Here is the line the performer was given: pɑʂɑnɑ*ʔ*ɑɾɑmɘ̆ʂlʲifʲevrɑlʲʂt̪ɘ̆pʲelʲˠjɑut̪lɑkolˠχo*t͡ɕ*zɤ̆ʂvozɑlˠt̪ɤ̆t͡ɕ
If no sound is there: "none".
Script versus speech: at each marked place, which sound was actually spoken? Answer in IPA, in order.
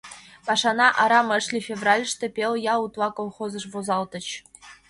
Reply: ʔ, none

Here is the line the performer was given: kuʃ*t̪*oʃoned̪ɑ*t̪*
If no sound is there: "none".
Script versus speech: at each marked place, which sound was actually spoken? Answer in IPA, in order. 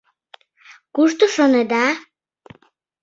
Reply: t̪, none

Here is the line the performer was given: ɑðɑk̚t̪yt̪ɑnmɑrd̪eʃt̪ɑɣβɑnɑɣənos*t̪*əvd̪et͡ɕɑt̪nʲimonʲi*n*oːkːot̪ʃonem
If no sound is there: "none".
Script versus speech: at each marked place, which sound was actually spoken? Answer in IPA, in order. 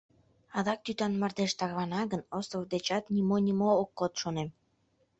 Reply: t̪, m

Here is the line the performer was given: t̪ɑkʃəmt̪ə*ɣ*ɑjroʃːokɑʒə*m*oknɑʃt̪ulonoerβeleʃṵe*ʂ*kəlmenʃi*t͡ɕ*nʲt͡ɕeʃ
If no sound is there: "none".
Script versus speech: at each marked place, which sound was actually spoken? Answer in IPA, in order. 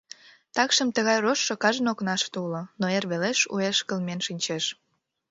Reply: ɣ, n, ʃ, none

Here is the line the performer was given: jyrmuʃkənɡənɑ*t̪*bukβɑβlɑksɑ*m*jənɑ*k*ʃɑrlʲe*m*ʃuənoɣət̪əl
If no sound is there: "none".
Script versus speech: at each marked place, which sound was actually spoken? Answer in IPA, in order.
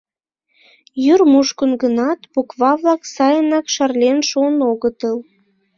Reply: t̪, none, k, n

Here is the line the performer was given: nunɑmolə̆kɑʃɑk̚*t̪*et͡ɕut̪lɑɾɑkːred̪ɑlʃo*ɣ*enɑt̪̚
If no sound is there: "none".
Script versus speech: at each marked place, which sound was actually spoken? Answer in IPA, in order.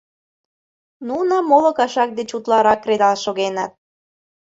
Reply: d̪, ɣ

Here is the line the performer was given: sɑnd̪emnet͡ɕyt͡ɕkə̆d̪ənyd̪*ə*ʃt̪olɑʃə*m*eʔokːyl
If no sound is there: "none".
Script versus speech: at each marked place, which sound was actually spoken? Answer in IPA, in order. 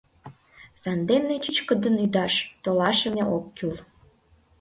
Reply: ɑ, m

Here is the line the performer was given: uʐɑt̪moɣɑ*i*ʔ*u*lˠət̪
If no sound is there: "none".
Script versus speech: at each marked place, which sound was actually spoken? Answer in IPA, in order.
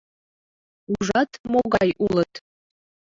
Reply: j, u

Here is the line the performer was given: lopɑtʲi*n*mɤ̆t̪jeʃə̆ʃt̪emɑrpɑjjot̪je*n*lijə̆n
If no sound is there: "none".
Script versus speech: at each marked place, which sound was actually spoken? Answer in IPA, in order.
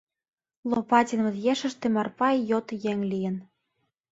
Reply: n, ŋ

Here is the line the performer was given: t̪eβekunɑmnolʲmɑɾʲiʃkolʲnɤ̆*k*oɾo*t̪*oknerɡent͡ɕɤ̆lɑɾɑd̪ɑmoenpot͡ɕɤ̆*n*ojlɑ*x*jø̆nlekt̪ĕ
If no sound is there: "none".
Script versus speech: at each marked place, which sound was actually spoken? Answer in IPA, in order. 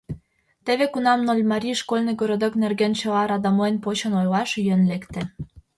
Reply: ɡ, d̪, n, ʃ

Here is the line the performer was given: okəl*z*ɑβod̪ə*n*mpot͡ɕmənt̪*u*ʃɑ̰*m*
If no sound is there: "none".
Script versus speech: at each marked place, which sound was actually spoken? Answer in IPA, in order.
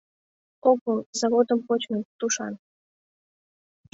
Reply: z, none, u, n

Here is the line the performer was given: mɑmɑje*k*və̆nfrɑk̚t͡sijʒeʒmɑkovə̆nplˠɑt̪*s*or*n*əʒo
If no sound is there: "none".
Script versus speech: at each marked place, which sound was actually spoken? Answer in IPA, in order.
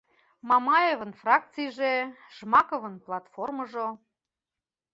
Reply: none, f, m

